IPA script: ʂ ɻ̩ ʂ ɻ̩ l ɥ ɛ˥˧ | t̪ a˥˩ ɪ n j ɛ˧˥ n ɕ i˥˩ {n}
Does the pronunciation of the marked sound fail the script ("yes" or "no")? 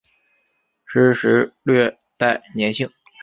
yes